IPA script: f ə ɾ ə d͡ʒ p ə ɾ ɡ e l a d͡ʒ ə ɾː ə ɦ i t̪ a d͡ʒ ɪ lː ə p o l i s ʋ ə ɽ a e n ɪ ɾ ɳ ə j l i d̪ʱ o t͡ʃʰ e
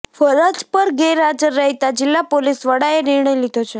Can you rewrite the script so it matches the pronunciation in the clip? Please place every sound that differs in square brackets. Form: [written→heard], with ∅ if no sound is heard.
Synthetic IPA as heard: f ə ɾ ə d͡ʒ p ə ɾ ɡ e [l→ɾ] a d͡ʒ ə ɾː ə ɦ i t̪ a d͡ʒ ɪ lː [ə→a] p o l i s ʋ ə ɽ a e n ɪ ɾ ɳ ə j l i d̪ʱ o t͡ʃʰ e